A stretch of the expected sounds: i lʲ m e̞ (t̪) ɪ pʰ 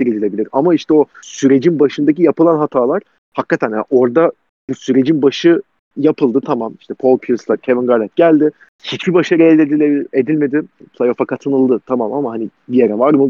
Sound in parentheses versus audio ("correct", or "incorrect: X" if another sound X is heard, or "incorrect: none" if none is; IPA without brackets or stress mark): incorrect: d̪